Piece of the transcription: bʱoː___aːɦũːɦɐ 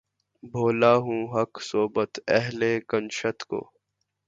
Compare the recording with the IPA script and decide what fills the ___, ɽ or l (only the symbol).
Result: l